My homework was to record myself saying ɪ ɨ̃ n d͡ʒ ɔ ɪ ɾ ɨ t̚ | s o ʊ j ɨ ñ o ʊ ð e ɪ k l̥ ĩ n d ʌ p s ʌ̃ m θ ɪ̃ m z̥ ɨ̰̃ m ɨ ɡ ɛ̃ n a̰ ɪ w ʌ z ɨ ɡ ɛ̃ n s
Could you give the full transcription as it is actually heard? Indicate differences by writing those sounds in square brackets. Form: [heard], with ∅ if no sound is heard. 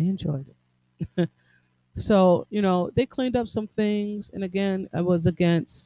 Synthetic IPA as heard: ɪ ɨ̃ n d͡ʒ ɔ ɪ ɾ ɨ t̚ | s o ʊ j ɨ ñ o ʊ ð e ɪ [kʰ] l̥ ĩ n d ʌ p s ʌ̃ m θ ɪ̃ [ŋ] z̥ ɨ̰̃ [n] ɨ ɡ ɛ̃ n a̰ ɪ w ʌ z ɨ ɡ ɛ̃ n s